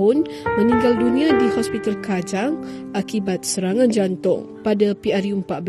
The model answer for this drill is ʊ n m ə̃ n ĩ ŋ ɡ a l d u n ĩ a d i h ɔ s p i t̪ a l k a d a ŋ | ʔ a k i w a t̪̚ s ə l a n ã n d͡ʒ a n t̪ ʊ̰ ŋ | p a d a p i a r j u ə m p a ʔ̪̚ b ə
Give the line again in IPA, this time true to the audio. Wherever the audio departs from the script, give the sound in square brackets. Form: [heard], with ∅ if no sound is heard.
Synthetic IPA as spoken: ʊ n m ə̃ n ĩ ŋ ɡ a l d u n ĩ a d i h ɔ s p i t̪ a l k a [d͡ʒ] a ŋ | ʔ a k i [b] a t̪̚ s ə [ɾ] a [ŋ] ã n d͡ʒ a n t̪ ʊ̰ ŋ | p a d a p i a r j u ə m p a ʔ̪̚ b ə